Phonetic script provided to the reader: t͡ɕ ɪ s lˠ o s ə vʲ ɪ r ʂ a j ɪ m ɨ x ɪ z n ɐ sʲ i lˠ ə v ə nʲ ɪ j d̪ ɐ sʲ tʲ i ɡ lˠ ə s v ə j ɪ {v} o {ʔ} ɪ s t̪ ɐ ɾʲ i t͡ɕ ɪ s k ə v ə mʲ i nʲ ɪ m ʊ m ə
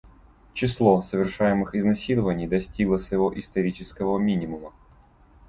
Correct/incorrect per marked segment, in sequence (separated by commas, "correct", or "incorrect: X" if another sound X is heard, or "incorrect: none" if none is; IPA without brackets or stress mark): correct, correct